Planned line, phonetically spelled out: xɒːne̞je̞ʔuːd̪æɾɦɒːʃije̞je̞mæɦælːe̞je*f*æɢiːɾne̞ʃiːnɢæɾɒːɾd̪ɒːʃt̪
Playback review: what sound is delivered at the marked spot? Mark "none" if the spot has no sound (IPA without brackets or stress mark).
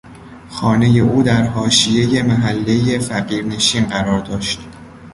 f